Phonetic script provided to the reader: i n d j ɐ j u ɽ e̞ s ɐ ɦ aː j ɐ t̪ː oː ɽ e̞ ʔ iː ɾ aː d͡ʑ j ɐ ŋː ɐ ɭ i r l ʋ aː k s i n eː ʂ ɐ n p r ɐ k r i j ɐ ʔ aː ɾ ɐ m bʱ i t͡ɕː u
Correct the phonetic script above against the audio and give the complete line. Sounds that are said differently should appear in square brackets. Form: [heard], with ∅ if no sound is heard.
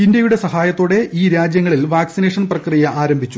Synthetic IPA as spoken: i n d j ɐ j u ɽ e̞ s ɐ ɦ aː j ɐ t̪ː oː ɽ e̞ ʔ iː ɾ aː d͡ʑ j ɐ ŋː ɐ ɭ i [∅] l ʋ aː k s i n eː ʂ ɐ n p r ɐ k r i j ɐ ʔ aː ɾ ɐ m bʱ i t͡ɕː u